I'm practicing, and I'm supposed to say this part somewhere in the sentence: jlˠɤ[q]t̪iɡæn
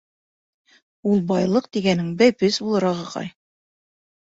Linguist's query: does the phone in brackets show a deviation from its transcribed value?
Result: no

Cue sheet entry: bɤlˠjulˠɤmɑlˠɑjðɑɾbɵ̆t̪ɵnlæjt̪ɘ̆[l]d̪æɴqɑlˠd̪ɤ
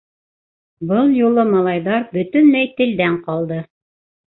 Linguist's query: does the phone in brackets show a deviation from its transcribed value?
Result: no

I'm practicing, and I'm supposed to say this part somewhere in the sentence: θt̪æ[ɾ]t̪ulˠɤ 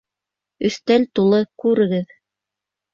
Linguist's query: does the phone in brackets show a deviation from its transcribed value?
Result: yes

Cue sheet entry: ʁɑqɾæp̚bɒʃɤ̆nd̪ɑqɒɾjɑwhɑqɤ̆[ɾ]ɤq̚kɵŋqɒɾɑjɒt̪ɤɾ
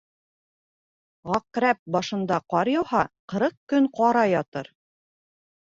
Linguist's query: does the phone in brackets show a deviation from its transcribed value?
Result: no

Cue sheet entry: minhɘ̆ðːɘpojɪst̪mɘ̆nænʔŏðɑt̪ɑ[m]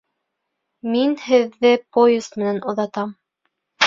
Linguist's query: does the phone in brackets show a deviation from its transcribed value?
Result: no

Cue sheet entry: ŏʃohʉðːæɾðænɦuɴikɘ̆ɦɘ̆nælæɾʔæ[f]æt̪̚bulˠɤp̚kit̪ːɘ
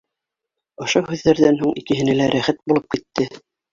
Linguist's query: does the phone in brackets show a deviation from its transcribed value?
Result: yes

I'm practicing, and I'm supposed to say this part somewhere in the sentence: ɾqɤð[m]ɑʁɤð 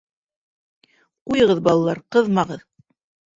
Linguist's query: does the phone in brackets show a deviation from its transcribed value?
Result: no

